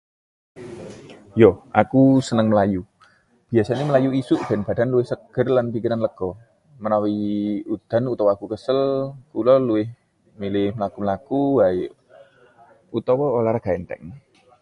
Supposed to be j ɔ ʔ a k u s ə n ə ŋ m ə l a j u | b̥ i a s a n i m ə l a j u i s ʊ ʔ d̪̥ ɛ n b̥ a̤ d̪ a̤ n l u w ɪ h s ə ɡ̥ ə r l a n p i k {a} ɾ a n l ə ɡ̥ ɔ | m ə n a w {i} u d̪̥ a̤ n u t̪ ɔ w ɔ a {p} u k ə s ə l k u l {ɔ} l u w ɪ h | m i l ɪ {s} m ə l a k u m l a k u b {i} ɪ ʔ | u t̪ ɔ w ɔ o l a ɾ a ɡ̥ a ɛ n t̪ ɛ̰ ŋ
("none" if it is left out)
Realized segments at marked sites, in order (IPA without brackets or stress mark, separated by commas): i, i, k, ɔ, h, a